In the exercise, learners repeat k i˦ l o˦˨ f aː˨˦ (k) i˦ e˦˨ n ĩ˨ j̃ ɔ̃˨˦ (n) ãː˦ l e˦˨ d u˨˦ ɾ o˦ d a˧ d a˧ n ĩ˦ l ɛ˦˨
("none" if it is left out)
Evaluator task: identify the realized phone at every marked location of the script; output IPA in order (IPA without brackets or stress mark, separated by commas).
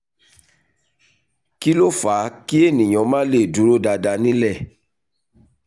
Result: k, m